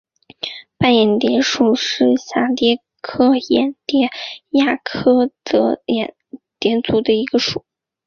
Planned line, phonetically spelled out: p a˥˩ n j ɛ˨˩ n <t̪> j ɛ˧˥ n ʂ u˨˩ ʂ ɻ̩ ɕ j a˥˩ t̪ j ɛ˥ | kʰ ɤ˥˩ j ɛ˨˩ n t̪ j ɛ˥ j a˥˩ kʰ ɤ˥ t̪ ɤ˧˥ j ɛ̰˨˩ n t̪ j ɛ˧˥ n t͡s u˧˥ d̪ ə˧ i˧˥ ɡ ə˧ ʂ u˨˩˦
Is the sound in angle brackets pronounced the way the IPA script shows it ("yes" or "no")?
yes